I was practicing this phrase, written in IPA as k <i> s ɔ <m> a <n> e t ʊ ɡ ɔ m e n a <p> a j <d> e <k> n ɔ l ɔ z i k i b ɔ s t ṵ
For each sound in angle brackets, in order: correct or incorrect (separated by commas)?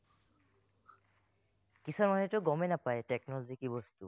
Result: correct, correct, correct, correct, incorrect, correct